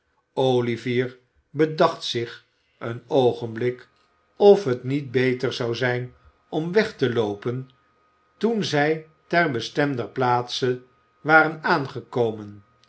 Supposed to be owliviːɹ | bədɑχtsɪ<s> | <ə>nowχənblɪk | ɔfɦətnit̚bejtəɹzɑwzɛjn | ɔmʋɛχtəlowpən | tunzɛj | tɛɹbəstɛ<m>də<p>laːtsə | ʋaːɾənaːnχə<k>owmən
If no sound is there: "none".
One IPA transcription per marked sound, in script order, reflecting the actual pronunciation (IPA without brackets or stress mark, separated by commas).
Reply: χ, ə, m, p, k